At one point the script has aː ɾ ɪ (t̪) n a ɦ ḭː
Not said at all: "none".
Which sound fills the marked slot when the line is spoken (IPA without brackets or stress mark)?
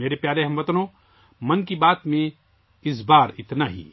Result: t̪